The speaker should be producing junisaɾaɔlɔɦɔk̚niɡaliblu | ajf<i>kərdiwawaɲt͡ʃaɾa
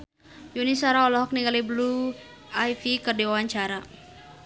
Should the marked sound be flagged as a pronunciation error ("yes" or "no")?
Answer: no